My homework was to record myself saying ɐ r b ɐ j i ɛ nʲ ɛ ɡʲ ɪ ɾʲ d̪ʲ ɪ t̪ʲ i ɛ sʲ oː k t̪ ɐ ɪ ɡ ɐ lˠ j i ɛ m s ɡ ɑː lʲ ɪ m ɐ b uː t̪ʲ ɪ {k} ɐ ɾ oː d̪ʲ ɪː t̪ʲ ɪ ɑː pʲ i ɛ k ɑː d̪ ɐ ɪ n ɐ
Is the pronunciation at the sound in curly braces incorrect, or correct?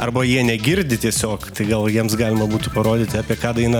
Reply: incorrect